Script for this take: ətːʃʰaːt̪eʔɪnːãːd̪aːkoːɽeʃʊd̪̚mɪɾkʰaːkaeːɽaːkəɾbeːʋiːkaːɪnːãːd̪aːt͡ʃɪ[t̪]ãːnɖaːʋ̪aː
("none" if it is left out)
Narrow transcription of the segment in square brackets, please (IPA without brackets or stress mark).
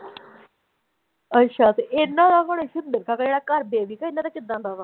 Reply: d̪